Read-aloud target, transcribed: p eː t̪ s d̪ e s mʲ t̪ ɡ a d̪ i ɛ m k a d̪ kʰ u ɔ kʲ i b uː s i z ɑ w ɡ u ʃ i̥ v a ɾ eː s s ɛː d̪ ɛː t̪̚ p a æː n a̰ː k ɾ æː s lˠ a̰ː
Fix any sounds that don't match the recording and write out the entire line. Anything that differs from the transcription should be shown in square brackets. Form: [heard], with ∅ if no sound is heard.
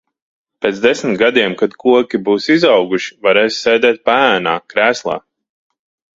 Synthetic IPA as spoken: p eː t̪ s d̪ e s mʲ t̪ ɡ a d̪ i ɛ m k a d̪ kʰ u ɔ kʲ i b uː s i z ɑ w ɡ u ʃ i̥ v a ɾ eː s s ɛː d̪ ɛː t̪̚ p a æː n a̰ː k ɾ æː s lˠ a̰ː